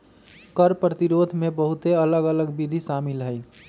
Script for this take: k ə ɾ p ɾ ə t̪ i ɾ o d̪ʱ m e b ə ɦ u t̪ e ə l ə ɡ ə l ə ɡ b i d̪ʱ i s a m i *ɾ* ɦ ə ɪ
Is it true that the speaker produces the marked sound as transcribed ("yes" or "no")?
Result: no